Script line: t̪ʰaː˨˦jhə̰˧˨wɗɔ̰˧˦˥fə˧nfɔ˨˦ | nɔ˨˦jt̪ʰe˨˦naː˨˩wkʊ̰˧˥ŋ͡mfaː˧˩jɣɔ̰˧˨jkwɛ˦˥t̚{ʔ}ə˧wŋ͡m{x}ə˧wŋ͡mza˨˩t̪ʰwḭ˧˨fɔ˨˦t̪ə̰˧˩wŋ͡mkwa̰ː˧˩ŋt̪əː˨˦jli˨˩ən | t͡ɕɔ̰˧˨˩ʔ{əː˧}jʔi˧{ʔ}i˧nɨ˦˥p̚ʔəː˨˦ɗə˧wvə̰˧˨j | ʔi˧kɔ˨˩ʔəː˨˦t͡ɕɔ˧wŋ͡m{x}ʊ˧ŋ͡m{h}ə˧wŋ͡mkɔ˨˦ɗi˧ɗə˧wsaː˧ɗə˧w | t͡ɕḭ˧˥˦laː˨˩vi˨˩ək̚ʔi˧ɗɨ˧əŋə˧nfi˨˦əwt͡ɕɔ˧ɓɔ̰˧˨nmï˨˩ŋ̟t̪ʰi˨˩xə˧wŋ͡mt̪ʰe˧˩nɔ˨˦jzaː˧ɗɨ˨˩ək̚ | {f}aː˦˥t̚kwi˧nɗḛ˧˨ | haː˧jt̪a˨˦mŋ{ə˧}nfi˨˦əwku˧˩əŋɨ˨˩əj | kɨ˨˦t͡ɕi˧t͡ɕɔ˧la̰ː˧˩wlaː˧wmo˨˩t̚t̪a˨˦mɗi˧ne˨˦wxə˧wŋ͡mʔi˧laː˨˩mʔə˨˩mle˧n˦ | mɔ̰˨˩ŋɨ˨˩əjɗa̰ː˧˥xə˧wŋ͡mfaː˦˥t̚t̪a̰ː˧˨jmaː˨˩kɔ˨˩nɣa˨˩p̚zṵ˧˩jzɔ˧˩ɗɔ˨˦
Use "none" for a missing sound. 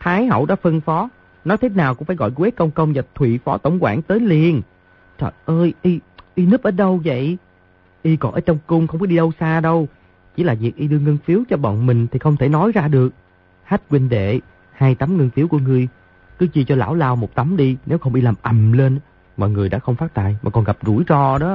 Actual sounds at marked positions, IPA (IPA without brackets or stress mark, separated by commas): k, k, əː˧, ʔ, k, x, h, ə˧